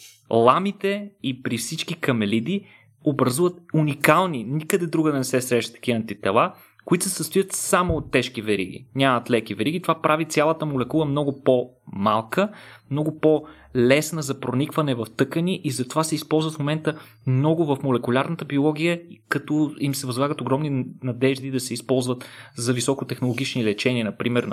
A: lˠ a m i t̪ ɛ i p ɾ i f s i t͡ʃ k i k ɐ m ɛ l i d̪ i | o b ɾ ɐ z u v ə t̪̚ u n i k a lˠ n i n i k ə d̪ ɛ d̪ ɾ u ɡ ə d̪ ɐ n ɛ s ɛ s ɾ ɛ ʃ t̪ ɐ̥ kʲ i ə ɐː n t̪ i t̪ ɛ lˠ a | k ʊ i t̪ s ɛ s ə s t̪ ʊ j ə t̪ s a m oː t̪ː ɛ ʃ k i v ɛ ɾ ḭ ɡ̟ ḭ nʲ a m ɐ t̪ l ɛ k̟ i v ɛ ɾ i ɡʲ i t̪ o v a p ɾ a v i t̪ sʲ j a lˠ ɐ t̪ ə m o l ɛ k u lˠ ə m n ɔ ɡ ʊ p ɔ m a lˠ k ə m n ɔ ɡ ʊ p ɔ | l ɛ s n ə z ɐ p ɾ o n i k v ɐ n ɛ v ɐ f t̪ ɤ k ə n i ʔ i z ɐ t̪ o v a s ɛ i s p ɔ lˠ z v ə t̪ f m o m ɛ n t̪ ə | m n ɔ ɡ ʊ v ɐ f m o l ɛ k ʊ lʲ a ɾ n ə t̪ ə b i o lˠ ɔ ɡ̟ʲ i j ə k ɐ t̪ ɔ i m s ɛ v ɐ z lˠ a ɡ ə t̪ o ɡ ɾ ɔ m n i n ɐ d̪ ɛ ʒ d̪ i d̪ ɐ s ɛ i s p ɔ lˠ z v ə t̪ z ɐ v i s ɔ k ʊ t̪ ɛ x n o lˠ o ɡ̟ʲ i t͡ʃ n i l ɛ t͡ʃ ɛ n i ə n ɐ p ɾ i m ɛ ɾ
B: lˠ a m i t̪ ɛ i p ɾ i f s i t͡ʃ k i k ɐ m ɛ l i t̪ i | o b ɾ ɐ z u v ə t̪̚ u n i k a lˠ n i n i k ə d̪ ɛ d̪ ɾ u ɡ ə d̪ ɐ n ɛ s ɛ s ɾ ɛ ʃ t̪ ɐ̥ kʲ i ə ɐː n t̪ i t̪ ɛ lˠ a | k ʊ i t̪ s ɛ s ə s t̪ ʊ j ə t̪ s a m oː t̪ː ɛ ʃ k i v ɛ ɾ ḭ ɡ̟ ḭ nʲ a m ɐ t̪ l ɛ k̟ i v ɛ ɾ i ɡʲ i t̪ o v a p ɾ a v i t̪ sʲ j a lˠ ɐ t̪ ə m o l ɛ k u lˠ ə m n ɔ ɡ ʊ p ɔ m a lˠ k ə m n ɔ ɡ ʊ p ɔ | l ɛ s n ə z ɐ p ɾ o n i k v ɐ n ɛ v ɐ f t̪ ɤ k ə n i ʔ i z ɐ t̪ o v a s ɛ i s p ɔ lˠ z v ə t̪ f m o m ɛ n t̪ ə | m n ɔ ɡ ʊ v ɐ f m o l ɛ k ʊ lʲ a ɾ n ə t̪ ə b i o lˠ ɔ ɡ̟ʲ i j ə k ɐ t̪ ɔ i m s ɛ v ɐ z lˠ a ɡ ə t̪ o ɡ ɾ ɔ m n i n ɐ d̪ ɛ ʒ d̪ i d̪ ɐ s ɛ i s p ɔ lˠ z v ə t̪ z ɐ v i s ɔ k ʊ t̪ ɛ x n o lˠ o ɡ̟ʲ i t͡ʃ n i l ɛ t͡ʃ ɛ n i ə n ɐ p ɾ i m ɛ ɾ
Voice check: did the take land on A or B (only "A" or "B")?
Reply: A